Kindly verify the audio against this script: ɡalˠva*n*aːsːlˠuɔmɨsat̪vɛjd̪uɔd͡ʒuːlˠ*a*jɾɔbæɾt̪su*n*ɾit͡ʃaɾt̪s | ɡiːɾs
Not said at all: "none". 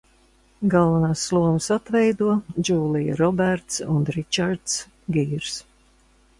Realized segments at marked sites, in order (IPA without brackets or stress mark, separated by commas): n, i, n